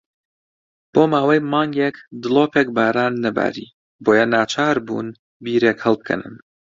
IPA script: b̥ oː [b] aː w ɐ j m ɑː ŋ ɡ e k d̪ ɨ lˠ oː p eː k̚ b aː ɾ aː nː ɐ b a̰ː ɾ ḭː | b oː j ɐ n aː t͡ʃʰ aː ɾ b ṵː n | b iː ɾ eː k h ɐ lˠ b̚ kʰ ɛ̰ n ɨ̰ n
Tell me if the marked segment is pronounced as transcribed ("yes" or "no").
no